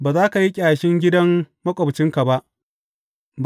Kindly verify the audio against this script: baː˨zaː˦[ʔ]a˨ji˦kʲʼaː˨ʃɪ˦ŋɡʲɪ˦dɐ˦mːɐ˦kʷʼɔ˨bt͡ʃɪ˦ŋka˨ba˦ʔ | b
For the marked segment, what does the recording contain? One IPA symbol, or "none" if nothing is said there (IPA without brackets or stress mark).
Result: k